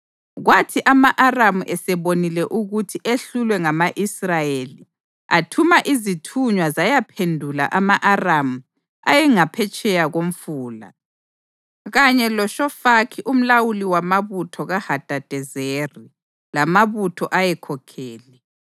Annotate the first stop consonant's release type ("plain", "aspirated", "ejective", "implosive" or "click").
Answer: aspirated